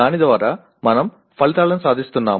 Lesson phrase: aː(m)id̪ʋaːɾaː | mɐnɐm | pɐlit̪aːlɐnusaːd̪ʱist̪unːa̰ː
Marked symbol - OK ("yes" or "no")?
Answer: no